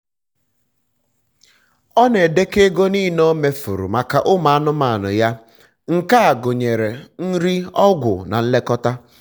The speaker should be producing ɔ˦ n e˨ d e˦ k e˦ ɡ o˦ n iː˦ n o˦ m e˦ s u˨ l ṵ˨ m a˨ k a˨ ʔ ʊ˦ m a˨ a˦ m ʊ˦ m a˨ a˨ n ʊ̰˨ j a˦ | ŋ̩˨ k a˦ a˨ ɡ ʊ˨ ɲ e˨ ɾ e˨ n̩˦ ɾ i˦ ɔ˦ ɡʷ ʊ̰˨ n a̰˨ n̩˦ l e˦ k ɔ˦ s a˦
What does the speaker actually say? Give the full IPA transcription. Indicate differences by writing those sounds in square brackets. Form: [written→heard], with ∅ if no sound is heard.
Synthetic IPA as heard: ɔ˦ n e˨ d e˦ k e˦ ɡ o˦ n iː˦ n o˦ m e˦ [s→f] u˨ [l→ɾ] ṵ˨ m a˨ k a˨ ʔ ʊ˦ m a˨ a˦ [m→n] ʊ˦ m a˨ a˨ n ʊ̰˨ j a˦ | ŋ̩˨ k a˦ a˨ ɡ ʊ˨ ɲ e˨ ɾ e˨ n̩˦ ɾ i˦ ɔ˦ ɡʷ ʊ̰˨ n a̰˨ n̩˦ l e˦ k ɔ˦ [s→t] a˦